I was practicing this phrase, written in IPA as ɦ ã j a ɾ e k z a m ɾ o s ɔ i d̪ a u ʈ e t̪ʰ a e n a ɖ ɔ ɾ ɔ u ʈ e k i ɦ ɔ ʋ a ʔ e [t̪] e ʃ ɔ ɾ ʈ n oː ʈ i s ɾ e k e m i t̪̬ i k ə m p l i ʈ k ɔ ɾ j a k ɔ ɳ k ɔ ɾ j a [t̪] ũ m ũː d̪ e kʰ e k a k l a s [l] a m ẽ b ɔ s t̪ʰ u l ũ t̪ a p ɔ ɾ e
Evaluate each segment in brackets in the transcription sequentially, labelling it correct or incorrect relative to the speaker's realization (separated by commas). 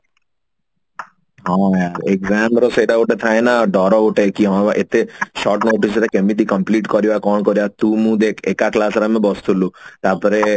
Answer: correct, correct, incorrect